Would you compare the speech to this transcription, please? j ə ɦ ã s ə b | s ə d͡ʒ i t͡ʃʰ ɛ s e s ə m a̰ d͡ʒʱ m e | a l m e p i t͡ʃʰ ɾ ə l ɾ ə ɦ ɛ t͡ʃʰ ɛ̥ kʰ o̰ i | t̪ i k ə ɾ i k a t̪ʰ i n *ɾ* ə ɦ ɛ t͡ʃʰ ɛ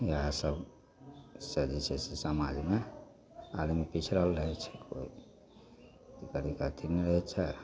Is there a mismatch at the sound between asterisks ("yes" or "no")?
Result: no